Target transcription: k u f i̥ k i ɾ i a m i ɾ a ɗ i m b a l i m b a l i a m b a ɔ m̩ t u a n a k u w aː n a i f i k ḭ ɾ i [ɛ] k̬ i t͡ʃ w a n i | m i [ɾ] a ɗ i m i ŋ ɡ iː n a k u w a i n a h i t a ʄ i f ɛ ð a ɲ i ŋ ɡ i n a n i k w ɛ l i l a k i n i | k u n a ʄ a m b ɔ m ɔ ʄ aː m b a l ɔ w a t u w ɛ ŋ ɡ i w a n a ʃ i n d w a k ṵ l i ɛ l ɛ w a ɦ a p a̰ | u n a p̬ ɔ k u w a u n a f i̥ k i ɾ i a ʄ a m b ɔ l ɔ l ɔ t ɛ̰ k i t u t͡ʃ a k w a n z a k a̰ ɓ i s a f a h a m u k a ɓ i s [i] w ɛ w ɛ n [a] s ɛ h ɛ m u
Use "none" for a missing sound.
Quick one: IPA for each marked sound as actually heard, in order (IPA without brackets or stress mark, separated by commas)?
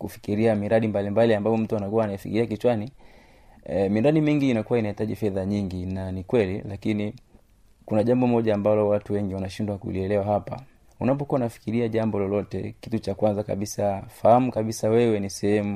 a, ɾ, a, i